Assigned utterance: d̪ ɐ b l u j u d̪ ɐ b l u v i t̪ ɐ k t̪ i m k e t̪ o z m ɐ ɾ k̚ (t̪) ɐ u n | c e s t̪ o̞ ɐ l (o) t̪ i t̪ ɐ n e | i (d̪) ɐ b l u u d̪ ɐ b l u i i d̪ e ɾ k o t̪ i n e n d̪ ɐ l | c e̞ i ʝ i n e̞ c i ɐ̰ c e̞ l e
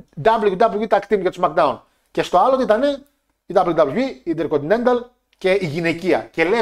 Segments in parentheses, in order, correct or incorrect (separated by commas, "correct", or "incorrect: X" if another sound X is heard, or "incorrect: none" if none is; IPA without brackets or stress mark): incorrect: d̪, correct, correct